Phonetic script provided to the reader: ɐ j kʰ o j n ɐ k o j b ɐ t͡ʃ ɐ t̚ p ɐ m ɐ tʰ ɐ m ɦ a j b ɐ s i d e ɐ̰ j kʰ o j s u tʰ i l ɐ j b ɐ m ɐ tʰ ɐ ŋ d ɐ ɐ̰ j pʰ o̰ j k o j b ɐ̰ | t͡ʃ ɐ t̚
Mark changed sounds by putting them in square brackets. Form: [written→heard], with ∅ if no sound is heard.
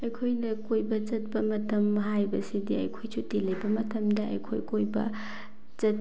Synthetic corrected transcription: ɐ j kʰ o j n ɐ k o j b ɐ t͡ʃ ɐ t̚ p ɐ m ɐ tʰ ɐ m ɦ a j b ɐ s i d [e→i] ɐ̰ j kʰ o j s u [tʰ→t] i l ɐ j b ɐ m ɐ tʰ ɐ [ŋ→m] d ɐ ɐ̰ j [pʰ→kʰ] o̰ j k o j b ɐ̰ | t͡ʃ ɐ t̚